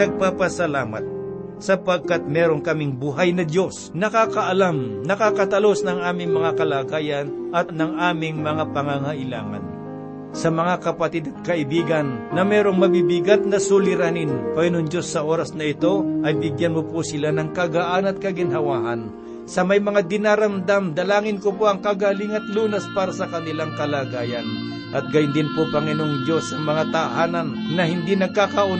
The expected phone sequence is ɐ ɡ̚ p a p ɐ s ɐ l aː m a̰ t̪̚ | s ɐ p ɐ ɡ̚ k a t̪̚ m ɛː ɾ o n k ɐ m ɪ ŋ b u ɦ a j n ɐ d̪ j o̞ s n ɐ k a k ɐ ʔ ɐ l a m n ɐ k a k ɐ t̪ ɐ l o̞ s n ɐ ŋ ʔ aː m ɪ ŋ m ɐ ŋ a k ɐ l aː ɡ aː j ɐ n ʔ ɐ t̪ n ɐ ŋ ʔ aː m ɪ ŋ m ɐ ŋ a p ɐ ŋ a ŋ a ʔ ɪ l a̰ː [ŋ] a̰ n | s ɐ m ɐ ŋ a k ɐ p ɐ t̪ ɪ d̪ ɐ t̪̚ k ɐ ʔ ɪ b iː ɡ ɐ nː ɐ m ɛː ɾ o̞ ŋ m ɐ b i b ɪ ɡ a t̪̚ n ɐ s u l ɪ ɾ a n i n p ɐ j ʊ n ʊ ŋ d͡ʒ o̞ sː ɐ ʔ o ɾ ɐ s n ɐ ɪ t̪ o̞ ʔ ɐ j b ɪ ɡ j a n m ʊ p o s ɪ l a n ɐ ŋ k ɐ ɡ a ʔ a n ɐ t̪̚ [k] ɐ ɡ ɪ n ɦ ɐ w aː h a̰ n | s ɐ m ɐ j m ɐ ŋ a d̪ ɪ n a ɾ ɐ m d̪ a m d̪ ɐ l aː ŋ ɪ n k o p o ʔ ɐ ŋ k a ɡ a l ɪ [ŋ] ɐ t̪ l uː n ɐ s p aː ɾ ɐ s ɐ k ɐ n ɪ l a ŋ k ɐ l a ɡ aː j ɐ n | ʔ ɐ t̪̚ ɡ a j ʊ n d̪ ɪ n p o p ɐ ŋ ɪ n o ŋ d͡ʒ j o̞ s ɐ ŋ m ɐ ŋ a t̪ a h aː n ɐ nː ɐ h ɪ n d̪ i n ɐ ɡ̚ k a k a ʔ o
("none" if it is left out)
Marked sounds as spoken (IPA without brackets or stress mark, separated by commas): ŋ, k, ŋ